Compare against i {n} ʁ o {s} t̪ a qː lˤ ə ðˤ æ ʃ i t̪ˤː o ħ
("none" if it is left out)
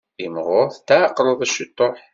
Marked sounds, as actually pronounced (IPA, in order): m, θ

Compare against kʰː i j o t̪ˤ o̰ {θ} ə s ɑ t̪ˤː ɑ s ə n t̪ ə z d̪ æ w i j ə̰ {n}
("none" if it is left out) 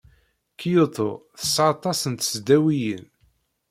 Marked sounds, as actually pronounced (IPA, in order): θ, n

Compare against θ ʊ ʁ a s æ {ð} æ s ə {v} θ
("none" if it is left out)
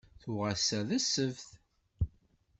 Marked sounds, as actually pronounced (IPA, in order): ð, v

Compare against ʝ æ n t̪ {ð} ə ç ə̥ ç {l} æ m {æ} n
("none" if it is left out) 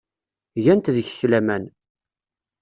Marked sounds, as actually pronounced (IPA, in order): ð, l, æ

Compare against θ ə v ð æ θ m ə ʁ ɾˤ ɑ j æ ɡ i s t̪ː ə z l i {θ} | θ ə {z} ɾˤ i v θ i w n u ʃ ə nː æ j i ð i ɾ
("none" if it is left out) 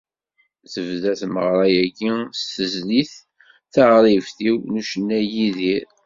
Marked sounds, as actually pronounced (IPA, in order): θ, ʁ

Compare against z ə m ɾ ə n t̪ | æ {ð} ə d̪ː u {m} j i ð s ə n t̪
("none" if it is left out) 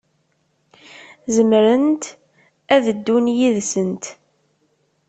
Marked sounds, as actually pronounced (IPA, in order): ð, n

